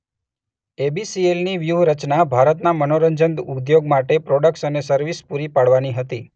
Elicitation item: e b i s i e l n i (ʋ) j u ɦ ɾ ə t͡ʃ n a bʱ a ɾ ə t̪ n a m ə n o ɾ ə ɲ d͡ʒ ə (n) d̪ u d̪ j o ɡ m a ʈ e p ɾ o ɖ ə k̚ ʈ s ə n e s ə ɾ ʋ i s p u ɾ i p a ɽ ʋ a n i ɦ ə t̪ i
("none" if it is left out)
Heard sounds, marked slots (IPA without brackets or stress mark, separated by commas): ʋ, n